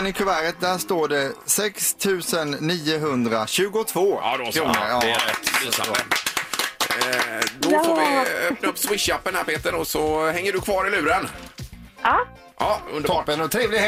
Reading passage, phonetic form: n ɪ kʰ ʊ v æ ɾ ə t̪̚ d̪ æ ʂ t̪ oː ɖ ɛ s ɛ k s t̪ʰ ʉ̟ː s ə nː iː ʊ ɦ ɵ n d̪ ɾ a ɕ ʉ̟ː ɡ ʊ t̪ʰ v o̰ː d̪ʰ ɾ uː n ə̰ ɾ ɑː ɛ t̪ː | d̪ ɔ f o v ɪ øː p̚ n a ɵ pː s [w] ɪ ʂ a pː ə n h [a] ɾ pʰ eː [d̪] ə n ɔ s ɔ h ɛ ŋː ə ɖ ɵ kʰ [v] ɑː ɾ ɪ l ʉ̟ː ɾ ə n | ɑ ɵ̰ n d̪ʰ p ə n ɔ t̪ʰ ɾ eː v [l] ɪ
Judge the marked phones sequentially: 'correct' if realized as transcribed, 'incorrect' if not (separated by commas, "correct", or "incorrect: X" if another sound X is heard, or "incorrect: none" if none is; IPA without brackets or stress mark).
correct, incorrect: æ, incorrect: t̪, correct, correct